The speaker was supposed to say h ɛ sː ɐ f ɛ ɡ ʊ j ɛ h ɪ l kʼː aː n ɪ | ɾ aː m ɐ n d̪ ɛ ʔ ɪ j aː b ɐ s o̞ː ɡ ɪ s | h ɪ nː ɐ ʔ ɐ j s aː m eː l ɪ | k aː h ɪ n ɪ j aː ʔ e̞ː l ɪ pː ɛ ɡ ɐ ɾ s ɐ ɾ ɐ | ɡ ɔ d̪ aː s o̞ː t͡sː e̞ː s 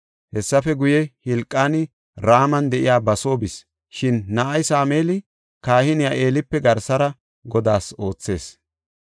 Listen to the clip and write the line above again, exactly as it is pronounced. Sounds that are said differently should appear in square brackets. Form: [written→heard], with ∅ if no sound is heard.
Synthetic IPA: h ɛ sː ɐ f ɛ ɡ ʊ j ɛ h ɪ l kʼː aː n ɪ | ɾ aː m ɐ n d̪ ɛ ʔ ɪ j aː b ɐ s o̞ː [ɡ→b] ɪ s | [h→ʃ] ɪ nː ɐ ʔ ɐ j s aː m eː l ɪ | k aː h ɪ n ɪ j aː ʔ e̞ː l ɪ pː ɛ ɡ ɐ ɾ s ɐ ɾ ɐ | ɡ ɔ d̪ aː s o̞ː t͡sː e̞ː s